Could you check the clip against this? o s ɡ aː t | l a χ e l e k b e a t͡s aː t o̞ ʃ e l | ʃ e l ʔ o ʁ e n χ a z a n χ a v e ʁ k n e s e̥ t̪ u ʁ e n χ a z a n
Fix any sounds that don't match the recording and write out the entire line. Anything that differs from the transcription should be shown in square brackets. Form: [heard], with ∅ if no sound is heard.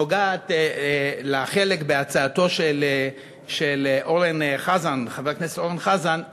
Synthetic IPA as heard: o [∅] ɡ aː t | l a χ e l e k b e a t͡s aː t o̞ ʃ e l | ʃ e l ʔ o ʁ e n χ a z a n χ a v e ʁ k n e s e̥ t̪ [o] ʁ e n χ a z a n

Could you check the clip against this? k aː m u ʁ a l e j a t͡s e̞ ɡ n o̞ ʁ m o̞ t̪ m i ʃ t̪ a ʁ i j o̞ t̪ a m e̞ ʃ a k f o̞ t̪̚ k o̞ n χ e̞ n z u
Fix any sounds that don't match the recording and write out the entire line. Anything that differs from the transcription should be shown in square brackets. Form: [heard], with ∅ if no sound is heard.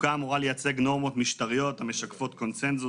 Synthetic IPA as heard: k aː m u ʁ a l e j a t͡s e̞ ɡ n o̞ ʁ m o̞ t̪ m i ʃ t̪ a ʁ i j o̞ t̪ a m e̞ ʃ a k f o̞ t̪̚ k o̞ n [s] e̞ n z u

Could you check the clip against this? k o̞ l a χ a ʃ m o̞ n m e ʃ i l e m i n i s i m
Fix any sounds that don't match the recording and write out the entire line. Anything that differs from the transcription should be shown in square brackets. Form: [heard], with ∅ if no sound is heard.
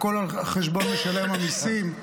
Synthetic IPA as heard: k o̞ l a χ [e] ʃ [b] o̞ n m e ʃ [a] l e m [a] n i s i m

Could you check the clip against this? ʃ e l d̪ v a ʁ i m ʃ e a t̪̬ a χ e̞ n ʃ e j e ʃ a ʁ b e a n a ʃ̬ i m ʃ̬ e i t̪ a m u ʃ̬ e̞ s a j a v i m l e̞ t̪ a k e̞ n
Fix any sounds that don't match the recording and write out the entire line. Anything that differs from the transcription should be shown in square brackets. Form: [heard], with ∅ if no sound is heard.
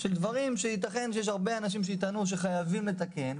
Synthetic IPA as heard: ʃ e l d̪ v a ʁ i m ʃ e [i] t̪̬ a χ e̞ n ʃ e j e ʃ a ʁ b e a n a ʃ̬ i m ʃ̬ e i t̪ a [n] u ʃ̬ e̞ [χ] a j a v i m l e̞ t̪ a k e̞ n

